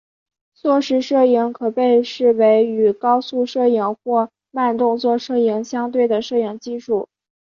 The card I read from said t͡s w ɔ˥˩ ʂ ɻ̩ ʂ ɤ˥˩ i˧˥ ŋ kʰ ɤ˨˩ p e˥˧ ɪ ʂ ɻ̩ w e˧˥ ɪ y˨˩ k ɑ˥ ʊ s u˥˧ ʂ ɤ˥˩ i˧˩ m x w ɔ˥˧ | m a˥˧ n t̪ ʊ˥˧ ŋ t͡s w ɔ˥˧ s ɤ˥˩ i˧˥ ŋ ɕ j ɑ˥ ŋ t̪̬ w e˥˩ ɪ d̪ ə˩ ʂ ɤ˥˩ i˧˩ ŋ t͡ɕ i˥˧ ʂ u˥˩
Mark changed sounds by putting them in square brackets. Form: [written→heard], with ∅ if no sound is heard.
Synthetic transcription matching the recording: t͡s w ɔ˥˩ ʂ ɻ̩ ʂ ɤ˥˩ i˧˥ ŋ kʰ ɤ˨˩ p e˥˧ ɪ ʂ ɻ̩ w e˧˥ ɪ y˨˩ k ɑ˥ ʊ s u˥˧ ʂ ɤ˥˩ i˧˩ [m→ŋ] x w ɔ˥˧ | m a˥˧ n t̪ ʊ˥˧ ŋ t͡s w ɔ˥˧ [s→ʂ] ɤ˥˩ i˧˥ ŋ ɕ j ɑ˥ ŋ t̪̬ w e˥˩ ɪ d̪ ə˩ ʂ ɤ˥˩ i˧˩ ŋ t͡ɕ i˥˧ ʂ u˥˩